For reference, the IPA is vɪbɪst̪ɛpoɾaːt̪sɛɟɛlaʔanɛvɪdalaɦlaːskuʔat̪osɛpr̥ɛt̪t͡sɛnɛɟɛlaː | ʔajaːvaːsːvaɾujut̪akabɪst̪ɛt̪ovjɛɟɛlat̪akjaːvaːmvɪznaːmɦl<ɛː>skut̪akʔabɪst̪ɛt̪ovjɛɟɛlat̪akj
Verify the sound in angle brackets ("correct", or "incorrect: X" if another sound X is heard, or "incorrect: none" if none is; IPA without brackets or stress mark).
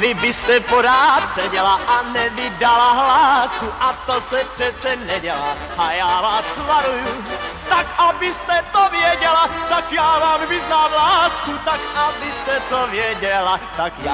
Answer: incorrect: aː